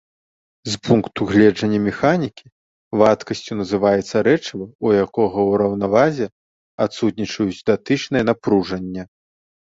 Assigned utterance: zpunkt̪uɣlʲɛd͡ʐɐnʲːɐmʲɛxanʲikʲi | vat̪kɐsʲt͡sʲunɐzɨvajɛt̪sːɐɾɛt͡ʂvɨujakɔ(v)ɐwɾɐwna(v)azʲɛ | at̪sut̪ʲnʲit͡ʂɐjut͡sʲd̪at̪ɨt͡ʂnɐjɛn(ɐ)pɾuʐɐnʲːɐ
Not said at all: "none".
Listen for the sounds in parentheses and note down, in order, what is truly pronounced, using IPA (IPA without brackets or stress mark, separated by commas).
ɣ, v, a